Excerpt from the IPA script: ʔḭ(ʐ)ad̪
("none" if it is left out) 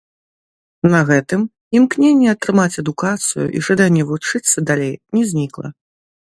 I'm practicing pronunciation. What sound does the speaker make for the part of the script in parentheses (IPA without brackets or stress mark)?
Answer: ʐ